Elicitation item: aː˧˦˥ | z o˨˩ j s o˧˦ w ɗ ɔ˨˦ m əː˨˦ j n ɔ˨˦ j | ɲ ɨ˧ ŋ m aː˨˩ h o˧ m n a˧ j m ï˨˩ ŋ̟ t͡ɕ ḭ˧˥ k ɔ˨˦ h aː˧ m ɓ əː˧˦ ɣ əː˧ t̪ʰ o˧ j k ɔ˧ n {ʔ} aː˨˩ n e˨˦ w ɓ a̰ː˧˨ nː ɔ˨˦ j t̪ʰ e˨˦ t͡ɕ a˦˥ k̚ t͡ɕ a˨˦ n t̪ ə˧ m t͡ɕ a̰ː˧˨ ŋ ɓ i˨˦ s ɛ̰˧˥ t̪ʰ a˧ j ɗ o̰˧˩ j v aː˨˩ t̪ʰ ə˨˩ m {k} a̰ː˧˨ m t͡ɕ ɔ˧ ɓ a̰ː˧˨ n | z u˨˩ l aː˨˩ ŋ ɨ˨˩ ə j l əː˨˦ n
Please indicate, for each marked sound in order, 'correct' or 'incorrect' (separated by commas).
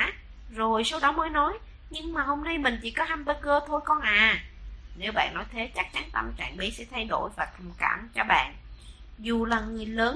correct, correct